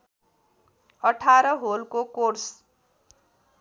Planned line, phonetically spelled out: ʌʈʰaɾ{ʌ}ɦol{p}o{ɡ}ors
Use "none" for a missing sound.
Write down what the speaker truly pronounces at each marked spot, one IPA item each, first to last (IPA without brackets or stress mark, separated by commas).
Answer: ʌ, k, k